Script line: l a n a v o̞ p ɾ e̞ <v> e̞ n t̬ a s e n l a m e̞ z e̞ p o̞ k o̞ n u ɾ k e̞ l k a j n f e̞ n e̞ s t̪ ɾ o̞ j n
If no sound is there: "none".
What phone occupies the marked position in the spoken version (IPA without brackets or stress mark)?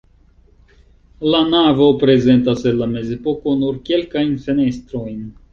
z